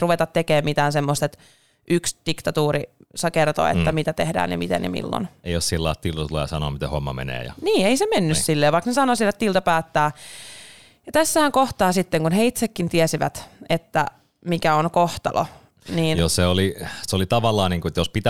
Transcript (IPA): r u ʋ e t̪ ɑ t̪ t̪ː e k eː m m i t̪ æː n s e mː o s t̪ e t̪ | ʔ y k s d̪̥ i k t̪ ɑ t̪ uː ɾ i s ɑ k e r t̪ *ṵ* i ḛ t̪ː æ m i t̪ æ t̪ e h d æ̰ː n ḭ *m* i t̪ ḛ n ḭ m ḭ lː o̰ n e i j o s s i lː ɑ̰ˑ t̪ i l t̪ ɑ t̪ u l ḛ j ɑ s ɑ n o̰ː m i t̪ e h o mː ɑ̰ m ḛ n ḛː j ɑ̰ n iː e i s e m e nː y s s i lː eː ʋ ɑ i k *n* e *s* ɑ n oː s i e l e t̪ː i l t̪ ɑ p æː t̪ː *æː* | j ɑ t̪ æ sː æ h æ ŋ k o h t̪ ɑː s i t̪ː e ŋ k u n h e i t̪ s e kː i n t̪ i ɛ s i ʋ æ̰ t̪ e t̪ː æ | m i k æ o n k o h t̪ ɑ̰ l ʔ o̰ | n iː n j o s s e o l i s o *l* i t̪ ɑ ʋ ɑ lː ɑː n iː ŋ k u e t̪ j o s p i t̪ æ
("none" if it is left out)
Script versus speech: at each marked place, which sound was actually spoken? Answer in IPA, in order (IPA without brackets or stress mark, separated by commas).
o̰, m, n, s, æː, l